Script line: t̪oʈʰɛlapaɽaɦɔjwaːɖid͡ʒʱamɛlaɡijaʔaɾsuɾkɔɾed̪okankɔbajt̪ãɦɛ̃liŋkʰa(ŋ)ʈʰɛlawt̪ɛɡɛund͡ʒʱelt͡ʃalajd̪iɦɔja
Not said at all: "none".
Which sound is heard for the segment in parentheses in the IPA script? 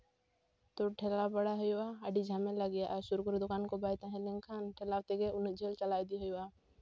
n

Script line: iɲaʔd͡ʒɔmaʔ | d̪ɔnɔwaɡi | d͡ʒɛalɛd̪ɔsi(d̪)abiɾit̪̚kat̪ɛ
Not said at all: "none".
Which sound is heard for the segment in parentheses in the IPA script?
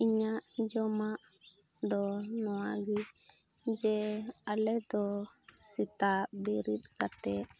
t̪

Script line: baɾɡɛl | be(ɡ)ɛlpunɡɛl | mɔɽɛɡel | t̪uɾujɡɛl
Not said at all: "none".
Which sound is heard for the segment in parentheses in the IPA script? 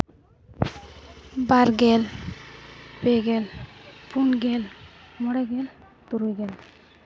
ɡ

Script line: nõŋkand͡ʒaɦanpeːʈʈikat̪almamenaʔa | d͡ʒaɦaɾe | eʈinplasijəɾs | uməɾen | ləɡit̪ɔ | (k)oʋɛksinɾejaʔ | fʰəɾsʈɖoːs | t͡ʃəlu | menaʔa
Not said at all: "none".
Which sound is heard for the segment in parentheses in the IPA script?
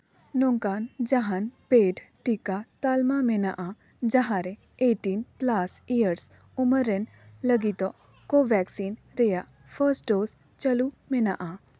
k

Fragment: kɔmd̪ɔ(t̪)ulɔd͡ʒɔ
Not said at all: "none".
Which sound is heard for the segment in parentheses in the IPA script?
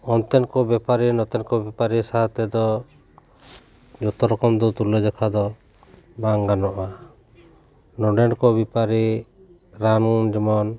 t̪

